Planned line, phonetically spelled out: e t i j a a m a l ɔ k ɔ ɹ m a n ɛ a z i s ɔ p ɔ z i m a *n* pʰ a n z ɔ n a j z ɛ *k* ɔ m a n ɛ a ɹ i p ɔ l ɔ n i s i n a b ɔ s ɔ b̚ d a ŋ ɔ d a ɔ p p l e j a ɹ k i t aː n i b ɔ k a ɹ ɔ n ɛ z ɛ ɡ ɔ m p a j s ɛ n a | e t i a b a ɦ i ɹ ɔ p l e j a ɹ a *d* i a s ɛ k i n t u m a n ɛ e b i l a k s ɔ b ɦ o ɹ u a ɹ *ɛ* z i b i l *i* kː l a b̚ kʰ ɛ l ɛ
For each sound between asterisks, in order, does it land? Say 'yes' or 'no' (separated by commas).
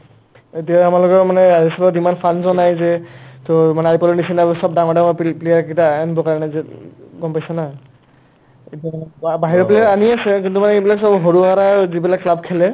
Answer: yes, no, no, no, no